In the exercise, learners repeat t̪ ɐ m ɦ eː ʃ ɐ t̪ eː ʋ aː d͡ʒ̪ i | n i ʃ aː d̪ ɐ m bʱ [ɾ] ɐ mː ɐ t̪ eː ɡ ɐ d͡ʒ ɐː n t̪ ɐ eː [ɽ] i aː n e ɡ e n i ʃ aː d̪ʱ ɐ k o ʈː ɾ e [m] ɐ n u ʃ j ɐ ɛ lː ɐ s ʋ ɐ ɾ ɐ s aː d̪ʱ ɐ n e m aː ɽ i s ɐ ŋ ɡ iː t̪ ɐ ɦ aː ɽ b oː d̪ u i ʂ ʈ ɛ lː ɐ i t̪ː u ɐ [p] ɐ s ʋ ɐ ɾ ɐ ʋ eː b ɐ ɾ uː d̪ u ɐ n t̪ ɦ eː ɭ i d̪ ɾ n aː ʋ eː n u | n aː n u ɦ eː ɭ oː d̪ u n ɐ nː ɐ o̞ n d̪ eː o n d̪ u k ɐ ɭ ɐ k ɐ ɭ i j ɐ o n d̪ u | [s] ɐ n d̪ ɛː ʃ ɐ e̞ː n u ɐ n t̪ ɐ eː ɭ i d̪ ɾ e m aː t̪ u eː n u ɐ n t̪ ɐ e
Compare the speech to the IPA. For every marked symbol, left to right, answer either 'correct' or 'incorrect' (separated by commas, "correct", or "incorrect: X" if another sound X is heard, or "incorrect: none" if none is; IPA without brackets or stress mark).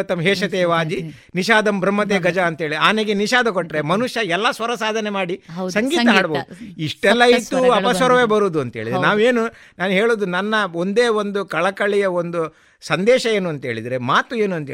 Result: correct, incorrect: ɭ, correct, correct, correct